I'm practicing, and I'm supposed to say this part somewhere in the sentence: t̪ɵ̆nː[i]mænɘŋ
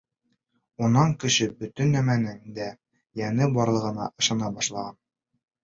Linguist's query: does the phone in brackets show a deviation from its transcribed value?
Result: yes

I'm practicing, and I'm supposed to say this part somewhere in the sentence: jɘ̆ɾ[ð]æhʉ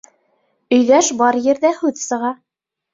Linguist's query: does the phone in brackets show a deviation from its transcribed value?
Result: no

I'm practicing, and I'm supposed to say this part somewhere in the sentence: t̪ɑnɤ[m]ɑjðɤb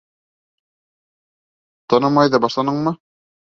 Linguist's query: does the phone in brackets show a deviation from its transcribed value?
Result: no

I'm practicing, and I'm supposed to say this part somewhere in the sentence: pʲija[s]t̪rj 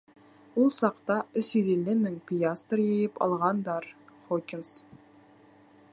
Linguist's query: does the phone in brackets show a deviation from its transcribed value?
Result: no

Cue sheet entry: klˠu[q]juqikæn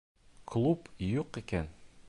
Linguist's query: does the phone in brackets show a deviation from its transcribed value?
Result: yes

